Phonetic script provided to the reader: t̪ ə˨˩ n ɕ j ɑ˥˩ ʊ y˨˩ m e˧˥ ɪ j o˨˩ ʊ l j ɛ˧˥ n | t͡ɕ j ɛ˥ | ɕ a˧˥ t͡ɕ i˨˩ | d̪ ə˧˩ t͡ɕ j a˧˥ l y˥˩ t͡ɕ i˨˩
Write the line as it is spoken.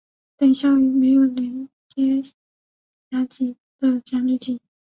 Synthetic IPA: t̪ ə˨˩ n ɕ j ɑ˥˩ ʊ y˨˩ m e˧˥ ɪ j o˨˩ ʊ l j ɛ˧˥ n | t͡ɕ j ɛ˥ | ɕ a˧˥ t͡ɕ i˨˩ | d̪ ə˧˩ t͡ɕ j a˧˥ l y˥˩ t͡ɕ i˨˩